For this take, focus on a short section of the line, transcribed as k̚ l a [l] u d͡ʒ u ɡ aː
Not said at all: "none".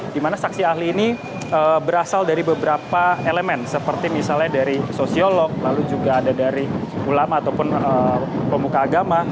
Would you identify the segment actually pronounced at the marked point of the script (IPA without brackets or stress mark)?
l